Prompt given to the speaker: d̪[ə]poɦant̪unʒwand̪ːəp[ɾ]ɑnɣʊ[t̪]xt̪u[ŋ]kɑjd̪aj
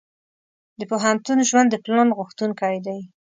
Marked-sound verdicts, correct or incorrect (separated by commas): correct, incorrect, incorrect, incorrect